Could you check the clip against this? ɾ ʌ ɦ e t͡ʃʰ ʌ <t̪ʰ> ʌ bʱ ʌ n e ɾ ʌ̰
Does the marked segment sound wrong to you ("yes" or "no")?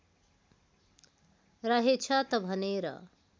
yes